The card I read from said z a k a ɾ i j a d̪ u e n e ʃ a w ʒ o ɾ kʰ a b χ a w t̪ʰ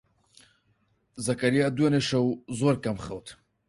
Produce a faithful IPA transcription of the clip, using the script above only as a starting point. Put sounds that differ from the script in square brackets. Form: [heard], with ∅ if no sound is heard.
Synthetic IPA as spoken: z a k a ɾ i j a d̪ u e n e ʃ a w [z] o ɾ [k] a [m] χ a w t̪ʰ